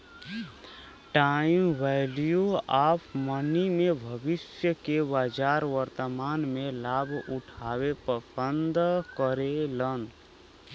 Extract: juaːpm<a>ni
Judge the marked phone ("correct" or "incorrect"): incorrect